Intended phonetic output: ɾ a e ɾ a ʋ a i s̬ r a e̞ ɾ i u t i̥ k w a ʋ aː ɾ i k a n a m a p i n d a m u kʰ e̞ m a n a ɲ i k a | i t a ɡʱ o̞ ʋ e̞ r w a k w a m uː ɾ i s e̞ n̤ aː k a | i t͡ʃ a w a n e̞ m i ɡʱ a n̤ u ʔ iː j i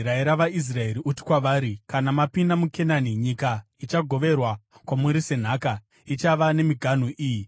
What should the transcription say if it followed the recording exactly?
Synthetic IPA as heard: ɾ a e ɾ a ʋ a i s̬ r a e̞ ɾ i u t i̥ k w a ʋ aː ɾ i k a n a m a p i n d a m u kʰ e̞ n a n i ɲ i k a | i t͡ʃ a ɡʱ o̞ ʋ e̞ r w a k w a m u ɾ i s e̞ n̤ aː k a | i t͡ʃ a ʋ a n e̞ m i ɡʱ a n̤ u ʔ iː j i